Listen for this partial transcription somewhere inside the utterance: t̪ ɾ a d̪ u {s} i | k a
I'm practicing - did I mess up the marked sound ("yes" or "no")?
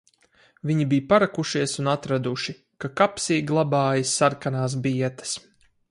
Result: yes